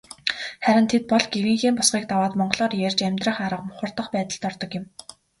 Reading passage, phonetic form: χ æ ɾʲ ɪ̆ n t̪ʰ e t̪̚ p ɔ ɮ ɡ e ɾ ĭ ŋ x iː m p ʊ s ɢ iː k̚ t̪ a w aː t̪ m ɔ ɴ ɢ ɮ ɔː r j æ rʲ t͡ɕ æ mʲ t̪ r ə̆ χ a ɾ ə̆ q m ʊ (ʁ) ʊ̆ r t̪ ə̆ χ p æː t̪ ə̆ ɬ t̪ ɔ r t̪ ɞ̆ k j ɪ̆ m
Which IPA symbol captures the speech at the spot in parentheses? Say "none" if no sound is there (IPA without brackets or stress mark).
χ